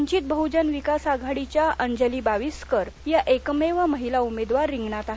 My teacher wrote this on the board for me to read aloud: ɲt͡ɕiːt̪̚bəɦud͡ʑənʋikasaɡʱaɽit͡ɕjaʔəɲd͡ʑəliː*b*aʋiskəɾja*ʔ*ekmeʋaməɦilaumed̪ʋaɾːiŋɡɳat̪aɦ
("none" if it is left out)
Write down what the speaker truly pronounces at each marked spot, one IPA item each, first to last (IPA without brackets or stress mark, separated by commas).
b, ʔ